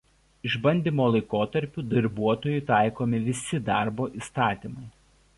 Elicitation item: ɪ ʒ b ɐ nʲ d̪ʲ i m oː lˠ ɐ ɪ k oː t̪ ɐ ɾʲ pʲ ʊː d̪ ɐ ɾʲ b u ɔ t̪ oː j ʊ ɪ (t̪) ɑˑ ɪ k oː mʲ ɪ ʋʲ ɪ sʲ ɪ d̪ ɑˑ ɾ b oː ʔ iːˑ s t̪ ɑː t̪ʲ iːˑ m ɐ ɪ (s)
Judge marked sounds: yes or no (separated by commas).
yes, no